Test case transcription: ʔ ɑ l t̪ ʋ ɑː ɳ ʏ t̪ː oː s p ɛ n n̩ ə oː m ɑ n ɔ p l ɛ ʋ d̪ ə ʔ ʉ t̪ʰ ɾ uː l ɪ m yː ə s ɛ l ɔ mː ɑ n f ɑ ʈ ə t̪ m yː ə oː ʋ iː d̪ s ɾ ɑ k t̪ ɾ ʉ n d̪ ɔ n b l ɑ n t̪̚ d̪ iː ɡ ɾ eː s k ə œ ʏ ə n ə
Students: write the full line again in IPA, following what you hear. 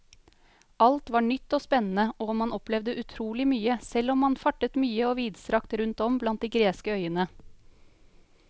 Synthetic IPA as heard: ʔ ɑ l t̪ ʋ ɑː ɳ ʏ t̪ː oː s p ɛ n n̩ ə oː m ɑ n ɔ p l ɛ ʋ d̪ ə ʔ ʉ t̪ʰ ɾ uː l ɪ m yː ə s ɛ l ɔ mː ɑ n f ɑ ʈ ə t̪ m yː ə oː ʋ iː d̪ s ɾ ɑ k t̪ ɾ ʉ n t̪ ɔ m b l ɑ n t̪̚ d̪ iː ɡ ɾ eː s k ə œ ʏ ə n ə

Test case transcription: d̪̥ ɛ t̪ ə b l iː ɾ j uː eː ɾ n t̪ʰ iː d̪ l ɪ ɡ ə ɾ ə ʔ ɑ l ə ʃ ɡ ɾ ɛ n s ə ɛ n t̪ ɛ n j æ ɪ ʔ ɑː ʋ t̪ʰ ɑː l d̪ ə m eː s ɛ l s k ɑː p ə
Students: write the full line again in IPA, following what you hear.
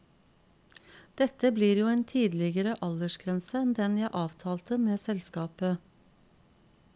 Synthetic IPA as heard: d̪̥ ɛ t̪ ə b l iː ɾ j uː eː n t̪ʰ iː d̪ l ɪ ɡ ə ɾ ə ʔ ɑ l ə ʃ ɡ ɾ ɛ n s ə ɛ n d̪ ɛ n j æ ɪ ʔ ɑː ʋ t̪ʰ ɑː l t̪ ə m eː s ɛ l s k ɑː p ə

